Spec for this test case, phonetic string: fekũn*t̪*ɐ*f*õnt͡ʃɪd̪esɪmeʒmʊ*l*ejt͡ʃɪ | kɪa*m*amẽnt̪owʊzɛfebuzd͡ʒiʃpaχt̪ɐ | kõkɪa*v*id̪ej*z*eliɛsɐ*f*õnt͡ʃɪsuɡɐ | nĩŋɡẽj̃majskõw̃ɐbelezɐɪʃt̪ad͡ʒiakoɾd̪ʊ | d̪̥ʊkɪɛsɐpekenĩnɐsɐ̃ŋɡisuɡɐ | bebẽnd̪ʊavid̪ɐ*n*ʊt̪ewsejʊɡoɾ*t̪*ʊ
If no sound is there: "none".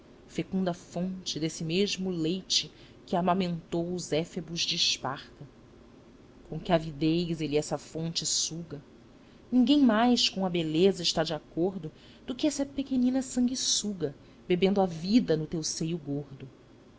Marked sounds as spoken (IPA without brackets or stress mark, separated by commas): d̪, f, l, m, v, z, f, n, d̪